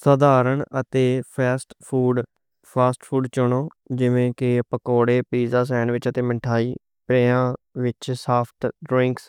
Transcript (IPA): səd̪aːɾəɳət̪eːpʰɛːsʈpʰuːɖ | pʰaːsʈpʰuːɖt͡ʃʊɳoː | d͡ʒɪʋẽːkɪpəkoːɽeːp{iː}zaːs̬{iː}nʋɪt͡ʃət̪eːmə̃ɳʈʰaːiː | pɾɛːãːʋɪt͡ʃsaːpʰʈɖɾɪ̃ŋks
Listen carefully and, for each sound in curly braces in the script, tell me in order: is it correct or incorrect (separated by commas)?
correct, incorrect